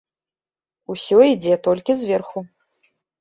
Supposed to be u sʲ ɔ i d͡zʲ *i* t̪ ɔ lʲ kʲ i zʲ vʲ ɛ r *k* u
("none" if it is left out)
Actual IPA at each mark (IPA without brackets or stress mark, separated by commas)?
ɛ, x